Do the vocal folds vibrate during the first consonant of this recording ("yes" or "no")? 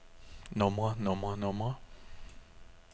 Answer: yes